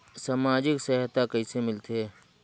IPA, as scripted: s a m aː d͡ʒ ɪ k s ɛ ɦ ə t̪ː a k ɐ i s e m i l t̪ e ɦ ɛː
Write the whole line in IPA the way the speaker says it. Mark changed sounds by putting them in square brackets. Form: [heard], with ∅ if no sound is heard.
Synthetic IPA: s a m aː d͡ʒ ɪ k s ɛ ɦ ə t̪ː a k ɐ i s e m [ɪ] l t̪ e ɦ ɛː